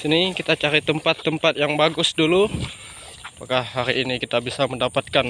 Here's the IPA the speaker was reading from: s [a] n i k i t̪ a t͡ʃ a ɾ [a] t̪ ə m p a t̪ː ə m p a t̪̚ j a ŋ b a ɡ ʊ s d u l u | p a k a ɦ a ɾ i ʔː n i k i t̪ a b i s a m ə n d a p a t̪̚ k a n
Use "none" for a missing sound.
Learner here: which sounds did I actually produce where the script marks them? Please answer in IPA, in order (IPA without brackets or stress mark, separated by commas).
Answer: i, i